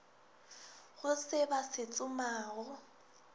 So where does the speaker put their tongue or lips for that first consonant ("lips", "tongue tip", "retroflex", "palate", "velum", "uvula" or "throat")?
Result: velum